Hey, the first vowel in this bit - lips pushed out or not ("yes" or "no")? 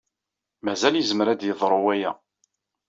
no